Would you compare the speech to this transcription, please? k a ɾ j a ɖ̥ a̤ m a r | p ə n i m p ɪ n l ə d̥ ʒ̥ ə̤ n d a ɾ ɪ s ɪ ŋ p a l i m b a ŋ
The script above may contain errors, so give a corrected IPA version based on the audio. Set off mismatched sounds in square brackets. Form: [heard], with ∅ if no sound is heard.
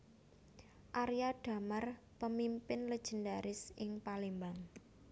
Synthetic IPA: [ʔ] a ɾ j a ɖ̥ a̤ m a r | p ə [m] i m p ɪ n l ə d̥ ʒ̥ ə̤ n d a ɾ ɪ s ɪ ŋ p a l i m b a ŋ